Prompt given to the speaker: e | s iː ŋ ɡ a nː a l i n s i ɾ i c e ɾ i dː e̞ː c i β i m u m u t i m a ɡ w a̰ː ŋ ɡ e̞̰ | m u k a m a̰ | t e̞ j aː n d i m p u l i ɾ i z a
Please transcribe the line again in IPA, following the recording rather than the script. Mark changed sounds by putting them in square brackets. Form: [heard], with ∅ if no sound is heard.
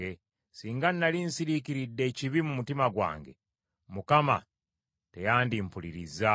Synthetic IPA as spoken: e | s iː ŋ ɡ a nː a l i n s i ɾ i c [i] ɾ i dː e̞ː c i β i m u m u t i m a ɡ w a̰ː ŋ ɡ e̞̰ | m u k a m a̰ | t e̞ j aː n d i m p u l i ɾ i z a